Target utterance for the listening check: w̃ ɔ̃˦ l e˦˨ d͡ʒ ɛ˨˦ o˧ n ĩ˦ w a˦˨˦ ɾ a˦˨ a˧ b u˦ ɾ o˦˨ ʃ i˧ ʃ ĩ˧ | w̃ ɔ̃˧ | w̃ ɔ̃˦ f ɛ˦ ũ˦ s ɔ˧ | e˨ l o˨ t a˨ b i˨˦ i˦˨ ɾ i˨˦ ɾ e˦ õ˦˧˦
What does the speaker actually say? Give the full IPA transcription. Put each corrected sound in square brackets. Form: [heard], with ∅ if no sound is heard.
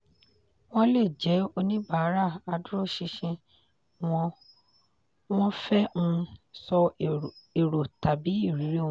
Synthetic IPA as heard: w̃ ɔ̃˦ l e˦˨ d͡ʒ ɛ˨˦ o˧ n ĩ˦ [b] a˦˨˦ ɾ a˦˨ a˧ [d] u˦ ɾ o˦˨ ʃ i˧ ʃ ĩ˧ | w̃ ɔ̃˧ | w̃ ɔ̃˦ f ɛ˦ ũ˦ s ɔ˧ | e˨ [ɾ] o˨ t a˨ b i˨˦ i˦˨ ɾ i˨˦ ɾ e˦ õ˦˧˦